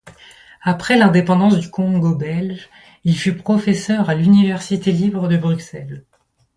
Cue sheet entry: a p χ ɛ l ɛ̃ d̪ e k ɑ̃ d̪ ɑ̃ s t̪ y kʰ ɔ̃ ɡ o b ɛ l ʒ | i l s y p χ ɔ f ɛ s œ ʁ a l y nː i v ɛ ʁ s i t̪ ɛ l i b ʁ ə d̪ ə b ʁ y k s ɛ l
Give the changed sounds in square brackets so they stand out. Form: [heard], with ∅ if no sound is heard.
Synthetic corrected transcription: a p χ ɛ l ɛ̃ d̪ e [p] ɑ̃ d̪ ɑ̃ s [d̪] y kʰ ɔ̃ ɡ o b ɛ l ʒ | i l [f] y p χ ɔ f ɛ s œ ʁ a l y [n] i v ɛ ʁ s i t̪ [e] l i b ʁ ə d̪ ə b ʁ y k s ɛ l